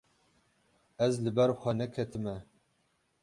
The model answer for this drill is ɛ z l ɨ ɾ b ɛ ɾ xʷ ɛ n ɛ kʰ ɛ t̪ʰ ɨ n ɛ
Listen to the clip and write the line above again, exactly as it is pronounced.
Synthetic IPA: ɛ z l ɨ b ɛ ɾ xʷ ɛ n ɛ kʰ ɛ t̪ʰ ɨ m ɛ